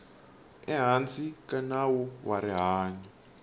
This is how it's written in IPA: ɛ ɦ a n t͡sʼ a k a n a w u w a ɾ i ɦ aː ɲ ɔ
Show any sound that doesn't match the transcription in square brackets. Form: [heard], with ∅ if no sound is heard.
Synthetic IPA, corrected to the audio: ɛ ɦ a n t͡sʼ [i] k a n a w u w a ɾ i ɦ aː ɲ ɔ